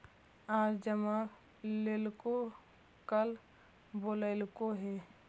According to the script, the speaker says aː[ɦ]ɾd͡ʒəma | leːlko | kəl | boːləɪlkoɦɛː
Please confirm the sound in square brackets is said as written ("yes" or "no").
no